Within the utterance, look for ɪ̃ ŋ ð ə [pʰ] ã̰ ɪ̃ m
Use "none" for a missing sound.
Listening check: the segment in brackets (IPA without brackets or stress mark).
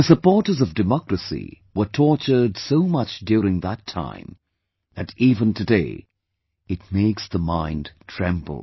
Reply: tʰ